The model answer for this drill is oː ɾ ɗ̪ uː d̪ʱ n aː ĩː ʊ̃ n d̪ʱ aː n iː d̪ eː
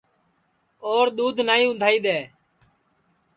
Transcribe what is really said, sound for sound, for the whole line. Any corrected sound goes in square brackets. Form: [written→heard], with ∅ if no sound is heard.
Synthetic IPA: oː ɾ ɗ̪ uː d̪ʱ n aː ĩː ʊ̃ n d̪ʱ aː [n→∅] iː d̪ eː